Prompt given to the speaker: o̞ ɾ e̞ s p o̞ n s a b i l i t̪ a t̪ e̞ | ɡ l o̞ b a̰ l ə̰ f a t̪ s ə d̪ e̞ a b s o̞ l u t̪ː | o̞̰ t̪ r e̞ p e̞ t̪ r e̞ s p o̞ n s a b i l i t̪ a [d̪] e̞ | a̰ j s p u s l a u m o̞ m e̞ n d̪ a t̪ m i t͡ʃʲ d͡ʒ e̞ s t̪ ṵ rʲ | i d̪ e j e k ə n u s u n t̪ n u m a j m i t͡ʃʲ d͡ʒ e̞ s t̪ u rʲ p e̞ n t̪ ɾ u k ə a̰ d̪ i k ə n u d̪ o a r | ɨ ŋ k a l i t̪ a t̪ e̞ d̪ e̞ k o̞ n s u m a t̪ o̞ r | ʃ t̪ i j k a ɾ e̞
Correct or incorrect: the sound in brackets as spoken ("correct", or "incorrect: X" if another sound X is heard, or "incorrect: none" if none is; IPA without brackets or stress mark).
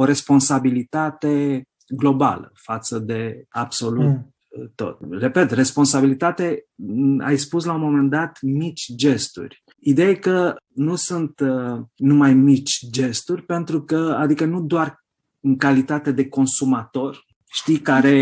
incorrect: t̪